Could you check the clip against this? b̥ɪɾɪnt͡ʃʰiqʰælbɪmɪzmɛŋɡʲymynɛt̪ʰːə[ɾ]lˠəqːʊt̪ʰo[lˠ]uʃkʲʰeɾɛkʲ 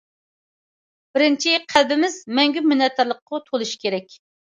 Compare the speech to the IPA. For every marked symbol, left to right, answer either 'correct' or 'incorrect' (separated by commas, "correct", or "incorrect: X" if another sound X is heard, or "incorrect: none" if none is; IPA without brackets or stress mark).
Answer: correct, correct